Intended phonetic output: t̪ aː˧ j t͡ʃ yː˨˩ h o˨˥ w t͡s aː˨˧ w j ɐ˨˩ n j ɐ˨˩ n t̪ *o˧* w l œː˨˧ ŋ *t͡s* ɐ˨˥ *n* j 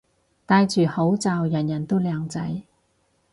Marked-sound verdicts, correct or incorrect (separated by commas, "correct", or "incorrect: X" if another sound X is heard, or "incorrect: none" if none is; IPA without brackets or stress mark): incorrect: o˥, correct, incorrect: none